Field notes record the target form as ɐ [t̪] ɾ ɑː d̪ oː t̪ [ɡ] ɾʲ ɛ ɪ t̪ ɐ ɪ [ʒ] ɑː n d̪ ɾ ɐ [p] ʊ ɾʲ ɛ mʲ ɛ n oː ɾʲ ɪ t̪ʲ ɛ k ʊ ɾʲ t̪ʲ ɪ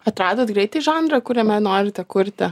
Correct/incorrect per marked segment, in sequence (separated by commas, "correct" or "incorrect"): correct, correct, correct, incorrect